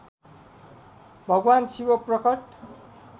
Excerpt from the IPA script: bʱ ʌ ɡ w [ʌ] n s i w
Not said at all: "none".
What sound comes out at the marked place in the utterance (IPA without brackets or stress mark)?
a